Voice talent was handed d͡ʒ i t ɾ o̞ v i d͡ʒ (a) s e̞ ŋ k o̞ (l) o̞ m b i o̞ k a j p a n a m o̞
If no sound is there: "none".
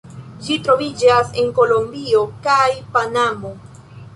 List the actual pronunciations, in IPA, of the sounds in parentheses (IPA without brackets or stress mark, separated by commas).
a, l